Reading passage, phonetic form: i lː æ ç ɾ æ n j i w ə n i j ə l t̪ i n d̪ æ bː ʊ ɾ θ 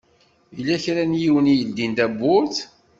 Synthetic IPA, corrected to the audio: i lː æ ç ɾ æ n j i w ə n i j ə l d̪ i n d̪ æ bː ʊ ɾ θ